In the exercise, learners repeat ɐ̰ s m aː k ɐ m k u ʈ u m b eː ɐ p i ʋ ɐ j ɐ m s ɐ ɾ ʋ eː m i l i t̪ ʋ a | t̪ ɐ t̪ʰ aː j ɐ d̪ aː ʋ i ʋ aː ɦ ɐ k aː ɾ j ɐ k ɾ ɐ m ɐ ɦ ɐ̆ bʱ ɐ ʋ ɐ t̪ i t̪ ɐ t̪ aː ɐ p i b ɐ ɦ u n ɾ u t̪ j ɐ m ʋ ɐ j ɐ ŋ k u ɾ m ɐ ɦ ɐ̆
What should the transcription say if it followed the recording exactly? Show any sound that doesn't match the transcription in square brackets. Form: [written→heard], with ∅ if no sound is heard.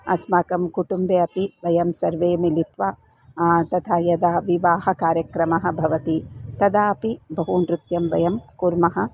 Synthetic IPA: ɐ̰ s m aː k ɐ m k u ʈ u m b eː ɐ p i ʋ ɐ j ɐ m s ɐ ɾ ʋ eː m i l i t̪ ʋ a | t̪ ɐ t̪ʰ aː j ɐ d̪ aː ʋ i ʋ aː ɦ ɐ k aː ɾ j ɐ k ɾ ɐ m ɐ ɦ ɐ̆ bʱ ɐ ʋ ɐ t̪ i t̪ ɐ [t̪→d̪] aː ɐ p i b ɐ ɦ u n ɾ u t̪ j ɐ m ʋ ɐ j ɐ [ŋ→m] k u ɾ m ɐ ɦ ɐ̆